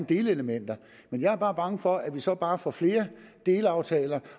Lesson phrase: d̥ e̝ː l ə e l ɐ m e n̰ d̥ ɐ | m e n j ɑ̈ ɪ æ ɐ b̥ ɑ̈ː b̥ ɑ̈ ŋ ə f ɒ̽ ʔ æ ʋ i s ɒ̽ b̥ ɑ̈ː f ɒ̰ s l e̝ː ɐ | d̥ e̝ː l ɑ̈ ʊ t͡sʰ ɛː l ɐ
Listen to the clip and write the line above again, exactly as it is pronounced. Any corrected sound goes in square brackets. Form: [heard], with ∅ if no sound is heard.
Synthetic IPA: d̥ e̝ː l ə e l [ə] m e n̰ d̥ ɐ | m e n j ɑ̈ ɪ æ ɐ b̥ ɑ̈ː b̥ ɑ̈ ŋ ə f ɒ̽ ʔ æ ʋ i s ɒ̽ b̥ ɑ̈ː f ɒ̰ [f] l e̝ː ɐ | d̥ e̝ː l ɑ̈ ʊ t͡sʰ ɛː l ɐ